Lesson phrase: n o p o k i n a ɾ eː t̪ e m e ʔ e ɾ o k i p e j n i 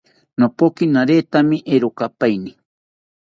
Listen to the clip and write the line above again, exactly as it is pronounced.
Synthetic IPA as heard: n o p o k i n a ɾ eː t̪ a m i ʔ e ɾ o k a p a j n i